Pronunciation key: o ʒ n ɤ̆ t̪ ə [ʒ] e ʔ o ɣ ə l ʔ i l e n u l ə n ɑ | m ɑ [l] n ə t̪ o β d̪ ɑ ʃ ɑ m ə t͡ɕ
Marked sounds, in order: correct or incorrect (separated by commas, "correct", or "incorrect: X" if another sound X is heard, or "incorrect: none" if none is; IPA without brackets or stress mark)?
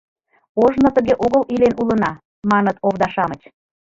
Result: incorrect: ɣ, incorrect: none